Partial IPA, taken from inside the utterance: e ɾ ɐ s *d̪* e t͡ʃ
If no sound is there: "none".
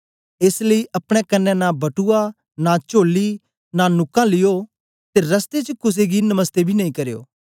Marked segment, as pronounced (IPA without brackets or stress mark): t̪